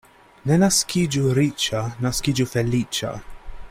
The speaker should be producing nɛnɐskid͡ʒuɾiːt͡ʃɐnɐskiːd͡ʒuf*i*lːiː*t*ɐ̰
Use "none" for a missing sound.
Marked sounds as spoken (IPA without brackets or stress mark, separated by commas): ɛ, t͡ʃ